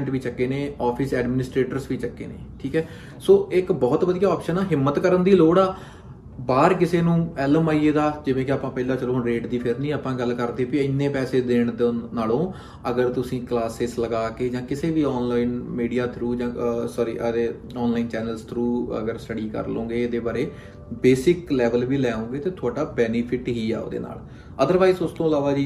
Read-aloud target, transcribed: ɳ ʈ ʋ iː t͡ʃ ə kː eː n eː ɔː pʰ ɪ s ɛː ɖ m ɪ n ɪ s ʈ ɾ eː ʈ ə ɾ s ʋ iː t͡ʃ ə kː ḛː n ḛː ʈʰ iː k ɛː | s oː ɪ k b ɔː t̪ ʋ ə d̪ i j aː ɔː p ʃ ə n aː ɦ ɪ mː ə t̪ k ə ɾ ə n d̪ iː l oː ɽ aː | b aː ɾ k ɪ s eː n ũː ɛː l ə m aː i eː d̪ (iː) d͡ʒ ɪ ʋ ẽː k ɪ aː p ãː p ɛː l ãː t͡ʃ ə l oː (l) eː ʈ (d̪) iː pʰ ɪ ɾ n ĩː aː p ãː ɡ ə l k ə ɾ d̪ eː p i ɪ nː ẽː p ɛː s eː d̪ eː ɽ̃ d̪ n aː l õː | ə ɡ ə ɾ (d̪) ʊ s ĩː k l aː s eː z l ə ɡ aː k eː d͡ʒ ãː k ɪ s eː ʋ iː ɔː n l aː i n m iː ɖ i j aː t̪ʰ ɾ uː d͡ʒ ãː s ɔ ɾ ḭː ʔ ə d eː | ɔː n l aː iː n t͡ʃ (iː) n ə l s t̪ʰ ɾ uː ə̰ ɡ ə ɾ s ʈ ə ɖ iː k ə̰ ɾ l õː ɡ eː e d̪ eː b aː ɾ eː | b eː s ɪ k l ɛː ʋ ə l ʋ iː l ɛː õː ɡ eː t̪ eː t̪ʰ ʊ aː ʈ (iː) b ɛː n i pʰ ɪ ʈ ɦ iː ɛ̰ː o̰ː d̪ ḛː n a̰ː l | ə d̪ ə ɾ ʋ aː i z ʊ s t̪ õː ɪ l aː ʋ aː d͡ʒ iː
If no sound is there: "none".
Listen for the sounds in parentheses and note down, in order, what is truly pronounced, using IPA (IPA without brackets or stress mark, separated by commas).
aː, ɾ, d̪, t̪, ɛː, aː